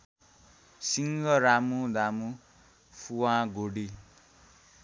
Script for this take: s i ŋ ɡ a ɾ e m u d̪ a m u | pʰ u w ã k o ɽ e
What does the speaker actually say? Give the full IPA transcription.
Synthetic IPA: s i ŋ ɡ ʌ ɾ a m u d̪ a m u | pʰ u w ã ɡ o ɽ i